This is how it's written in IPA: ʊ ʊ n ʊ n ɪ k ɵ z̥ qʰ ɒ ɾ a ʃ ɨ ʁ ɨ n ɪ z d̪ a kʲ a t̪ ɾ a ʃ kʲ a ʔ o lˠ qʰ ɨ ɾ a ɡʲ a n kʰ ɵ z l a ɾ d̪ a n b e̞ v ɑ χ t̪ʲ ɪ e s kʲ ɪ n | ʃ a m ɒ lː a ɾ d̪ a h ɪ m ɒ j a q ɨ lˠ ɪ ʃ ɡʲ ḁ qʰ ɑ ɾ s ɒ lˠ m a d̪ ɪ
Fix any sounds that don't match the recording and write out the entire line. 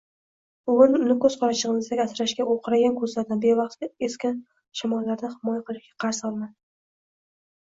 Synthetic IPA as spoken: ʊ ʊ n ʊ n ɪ k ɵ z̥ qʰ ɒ ɾ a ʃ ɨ ʁ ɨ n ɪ z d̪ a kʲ a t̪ ɾ a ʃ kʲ a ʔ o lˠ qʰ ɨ ɾ a ɡʲ a n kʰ ɵ z l a ɾ d̪ a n b e̞ v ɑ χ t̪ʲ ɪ e s kʲ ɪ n | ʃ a m ɒ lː a ɾ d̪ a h ɪ m ɒ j a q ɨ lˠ ɪ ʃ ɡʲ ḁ qʰ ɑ ɾ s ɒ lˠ m a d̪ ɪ

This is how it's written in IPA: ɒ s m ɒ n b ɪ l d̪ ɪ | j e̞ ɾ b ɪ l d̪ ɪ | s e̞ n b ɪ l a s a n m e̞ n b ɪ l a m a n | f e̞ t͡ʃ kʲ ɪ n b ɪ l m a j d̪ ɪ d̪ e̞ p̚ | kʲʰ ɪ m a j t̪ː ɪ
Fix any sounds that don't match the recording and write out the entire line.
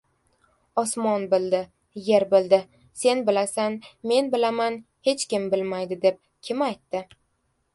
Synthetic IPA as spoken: ɒ s m ɒ n b ɪ l d̪ ɪ | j e̞ ɾ b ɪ l d̪ ɪ | s e̞ n b ɪ l a s a n m e̞ n b ɪ l a m a n | h e̞ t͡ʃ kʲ ɪ m b ɪ l m a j d̪ ɪ d̪ e̞ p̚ | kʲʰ ɪ m a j t̪ː ɪ

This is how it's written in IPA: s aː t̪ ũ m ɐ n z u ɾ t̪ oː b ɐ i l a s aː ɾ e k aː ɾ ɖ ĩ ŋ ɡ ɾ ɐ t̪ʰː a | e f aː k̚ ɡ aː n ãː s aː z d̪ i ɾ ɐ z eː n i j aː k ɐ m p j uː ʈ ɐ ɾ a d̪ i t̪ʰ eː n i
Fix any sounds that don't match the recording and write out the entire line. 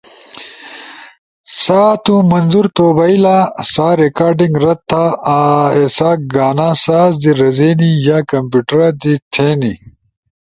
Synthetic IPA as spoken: s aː t̪ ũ m ɐ n z u ɾ t̪ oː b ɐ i l a s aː ɾ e k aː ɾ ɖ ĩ ŋ ɡ ɾ ɐ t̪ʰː a | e s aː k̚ ɡ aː n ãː s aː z d̪ i ɾ ɐ z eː n i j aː k ɐ m p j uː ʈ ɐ ɾ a d̪ i t̪ʰ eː n i

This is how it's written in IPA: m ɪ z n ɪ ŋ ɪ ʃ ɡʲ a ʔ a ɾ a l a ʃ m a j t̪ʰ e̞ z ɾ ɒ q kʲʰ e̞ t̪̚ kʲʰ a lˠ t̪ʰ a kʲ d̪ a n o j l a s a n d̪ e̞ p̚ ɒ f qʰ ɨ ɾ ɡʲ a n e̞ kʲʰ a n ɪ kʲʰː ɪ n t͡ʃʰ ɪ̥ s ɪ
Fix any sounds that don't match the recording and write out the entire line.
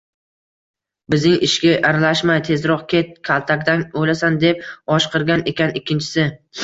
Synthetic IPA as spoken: b ɪ z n ɪ ŋ ɪ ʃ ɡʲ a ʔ a ɾ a l a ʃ m a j t̪ʰ e̞ z ɾ ɒ q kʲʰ e̞ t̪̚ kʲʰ a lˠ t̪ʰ a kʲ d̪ a n o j l a s a n d̪ e̞ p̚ ɒ ʃ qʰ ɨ ɾ ɡʲ a n e̞ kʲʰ a n ɪ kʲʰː ɪ n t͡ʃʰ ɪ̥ s ɪ

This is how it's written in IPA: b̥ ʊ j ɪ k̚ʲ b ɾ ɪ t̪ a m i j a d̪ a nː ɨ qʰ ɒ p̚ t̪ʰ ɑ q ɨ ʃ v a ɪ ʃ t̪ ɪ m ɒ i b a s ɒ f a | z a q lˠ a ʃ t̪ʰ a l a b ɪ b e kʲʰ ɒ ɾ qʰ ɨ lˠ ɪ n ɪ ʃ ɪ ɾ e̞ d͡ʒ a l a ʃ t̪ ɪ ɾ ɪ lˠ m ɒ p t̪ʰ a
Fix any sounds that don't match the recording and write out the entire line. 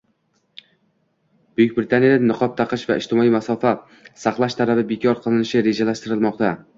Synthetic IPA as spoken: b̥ ʊ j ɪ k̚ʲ b ɾ ɪ t̪ a n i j a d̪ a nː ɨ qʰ ɒ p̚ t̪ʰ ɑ q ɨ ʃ v a ɪ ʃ t̪ ɪ m ɒ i m a s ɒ f a | s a q lˠ a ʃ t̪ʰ a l a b ɪ b e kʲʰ ɒ ɾ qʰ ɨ lˠ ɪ n ɪ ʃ ɪ ɾ e̞ d͡ʒ a l a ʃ t̪ ɪ ɾ ɪ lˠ m ɒ q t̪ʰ a

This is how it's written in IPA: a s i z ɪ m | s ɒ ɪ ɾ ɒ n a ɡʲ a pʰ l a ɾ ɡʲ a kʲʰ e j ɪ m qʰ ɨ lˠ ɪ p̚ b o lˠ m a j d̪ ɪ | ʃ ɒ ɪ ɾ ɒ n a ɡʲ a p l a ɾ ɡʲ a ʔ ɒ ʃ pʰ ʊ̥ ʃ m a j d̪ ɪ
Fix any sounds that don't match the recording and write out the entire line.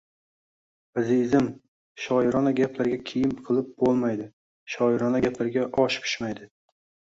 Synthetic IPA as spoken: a z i z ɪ m | ʃ ɒ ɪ ɾ ɒ n a ɡʲ a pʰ l a ɾ ɡʲ a kʲʰ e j ɪ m qʰ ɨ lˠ ɪ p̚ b o lˠ m a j d̪ ɪ | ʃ ɒ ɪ ɾ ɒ n a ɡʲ a p l a ɾ ɡʲ a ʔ ɒ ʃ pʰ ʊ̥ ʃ m a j d̪ ɪ

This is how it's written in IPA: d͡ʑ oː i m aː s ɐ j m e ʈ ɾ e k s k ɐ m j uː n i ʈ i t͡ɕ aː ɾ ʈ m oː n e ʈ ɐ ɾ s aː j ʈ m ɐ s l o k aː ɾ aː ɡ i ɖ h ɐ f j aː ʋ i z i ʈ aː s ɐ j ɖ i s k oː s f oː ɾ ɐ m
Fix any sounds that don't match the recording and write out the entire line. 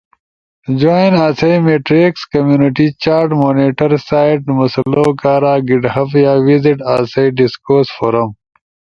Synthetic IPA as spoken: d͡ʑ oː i n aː s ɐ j m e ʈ ɾ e k s k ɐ m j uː n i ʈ i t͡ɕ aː ɾ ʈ m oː n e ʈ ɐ ɾ s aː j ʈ m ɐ s l o k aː ɾ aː ɡ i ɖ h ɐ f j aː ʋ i z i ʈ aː s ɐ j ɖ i s k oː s f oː ɾ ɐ m

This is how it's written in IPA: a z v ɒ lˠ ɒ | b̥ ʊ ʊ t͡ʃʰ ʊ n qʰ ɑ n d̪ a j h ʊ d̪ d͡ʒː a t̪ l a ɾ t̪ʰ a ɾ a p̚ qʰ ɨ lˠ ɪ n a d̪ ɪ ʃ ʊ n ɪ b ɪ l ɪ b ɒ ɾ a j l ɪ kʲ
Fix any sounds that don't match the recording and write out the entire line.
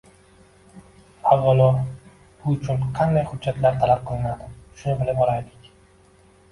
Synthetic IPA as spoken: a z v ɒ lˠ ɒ | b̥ ʊ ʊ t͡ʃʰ ʊ n qʰ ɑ n d̪ a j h ʊ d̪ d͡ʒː a t̪ l a ɾ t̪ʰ a l a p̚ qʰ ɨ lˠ ɪ n a d̪ ɪ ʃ ʊ n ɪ b ɪ l ɪ b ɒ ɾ a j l ɪ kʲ

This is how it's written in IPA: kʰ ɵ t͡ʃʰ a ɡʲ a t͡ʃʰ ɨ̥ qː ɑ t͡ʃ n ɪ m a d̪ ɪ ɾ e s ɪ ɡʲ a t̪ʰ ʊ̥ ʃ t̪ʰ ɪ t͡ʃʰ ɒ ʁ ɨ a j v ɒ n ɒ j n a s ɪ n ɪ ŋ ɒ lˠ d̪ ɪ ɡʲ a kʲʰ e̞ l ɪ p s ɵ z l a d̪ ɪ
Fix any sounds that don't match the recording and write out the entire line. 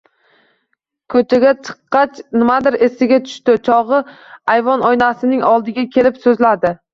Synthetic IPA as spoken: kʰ ɵ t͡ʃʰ a ɡʲ a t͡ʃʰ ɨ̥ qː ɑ t͡ʃ n ɪ m a d̪ ɪ ɾ e s ɪ ɡʲ a t̪ʰ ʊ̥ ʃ t̪ ɪ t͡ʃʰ ɒ ʁ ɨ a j v ɒ n ɒ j n a s ɪ n ɪ ŋ ɒ lˠ d̪ ɪ ɡʲ a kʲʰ e̞ l ɪ p s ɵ z l a d̪ ɪ

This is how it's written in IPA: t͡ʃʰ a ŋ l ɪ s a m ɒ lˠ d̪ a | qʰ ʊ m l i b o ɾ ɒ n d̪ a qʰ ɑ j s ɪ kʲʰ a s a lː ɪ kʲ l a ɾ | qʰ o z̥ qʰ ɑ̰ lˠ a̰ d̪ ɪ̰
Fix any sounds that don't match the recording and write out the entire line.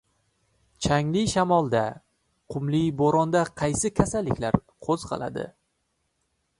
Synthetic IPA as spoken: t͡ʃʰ a ŋ l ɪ ʃ a m ɒ lˠ d̪ a | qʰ ʊ m l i b o ɾ ɒ n d̪ a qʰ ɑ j s ɪ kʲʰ a s a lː ɪ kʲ l a ɾ | qʰ o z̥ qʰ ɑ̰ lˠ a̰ d̪ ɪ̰

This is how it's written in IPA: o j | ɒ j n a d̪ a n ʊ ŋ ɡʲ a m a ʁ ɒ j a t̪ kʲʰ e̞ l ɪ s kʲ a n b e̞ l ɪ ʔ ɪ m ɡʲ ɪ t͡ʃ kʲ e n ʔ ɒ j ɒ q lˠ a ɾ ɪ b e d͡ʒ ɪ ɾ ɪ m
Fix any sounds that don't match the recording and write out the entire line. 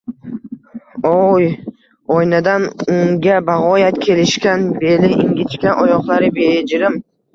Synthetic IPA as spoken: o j | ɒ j n a d̪ a n ʊ ŋ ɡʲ a b a ʁ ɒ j a t̪ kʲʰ e̞ l ɪ ʃ kʲ a n b e̞ l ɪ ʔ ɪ ŋ ɡʲ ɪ t͡ʃ kʲ a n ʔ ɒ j ɒ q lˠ a ɾ ɪ b e d͡ʒ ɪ ɾ ɪ m

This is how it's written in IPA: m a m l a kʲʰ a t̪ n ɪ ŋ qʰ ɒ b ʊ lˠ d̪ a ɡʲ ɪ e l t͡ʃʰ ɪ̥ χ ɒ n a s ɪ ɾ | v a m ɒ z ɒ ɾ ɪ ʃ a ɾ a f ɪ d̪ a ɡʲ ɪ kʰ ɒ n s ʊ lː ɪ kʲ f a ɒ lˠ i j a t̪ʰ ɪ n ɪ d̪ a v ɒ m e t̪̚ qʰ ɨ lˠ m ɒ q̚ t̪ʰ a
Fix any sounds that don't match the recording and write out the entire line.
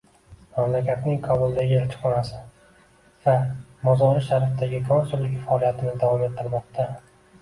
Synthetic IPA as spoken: m a m l a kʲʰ a t̪ n ɪ ŋ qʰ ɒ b ʊ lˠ d̪ a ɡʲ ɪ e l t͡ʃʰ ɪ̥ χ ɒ n a s ɪ | v a m ɒ z ɒ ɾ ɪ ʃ a ɾ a f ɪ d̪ a ɡʲ ɪ kʰ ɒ n s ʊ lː ɪ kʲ f a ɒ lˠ i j a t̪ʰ ɪ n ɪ d̪ a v ɒ m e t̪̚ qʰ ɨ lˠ m ɒ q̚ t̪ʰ a

